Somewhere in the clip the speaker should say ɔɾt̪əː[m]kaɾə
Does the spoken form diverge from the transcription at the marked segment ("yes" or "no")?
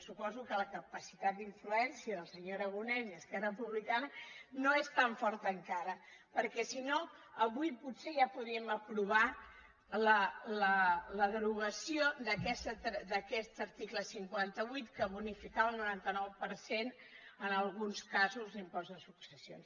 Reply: yes